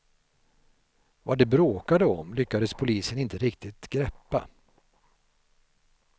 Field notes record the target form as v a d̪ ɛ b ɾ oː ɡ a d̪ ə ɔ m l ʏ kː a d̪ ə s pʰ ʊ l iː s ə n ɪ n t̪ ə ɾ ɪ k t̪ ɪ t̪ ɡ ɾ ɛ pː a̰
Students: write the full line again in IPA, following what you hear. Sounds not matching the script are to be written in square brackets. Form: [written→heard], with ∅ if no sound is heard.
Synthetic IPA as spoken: v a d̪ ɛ b ɾ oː [ɡ→k] a d̪ ə ɔ m l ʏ kː a d̪ ə s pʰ ʊ l iː s ə n ɪ n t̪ ə ɾ ɪ k t̪ ɪ t̪ ɡ ɾ ɛ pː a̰